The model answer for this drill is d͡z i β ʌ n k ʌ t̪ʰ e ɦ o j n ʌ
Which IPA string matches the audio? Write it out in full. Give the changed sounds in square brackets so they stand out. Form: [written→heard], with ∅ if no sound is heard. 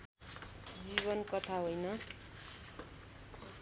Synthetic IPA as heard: d͡z i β ʌ n k ʌ t̪ʰ [e→a] ɦ o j n ʌ